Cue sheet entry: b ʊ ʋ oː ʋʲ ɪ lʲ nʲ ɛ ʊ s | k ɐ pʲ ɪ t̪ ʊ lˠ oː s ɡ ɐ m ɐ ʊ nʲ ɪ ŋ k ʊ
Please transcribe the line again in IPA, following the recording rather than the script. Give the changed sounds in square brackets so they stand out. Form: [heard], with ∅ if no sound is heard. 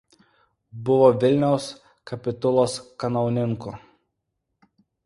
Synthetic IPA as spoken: b ʊ ʋ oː ʋʲ ɪ lʲ nʲ ɛ ʊ s | k ɐ pʲ ɪ t̪ ʊ lˠ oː s [k] ɐ [n] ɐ ʊ nʲ ɪ ŋ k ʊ